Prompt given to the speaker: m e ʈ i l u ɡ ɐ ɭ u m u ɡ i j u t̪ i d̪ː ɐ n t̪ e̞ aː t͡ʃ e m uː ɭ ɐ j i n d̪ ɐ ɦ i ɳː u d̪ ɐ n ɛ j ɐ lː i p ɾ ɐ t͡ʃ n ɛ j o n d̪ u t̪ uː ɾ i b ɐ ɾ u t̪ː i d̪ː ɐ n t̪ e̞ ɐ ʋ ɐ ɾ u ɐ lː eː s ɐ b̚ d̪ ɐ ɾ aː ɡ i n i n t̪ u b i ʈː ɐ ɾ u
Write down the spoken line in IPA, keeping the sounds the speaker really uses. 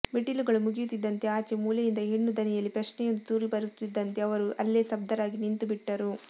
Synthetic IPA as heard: m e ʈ i l u ɡ ɐ ɭ u m u ɡ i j u t̪ i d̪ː ɐ n t̪ e̞ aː t͡ʃ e m uː l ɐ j i n d̪ ɐ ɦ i ɳː u d̪ ɐ n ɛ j ɐ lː i p ɾ ɐ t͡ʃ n ɛ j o n d̪ u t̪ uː ɾ i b ɐ ɾ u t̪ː i d̪ː ɐ n t̪ e̞ ɐ ʋ ɐ ɾ u ɐ lː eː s ɐ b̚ d̪ ɐ ɾ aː ɡ i n i n t̪ u b i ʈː ɐ ɾ u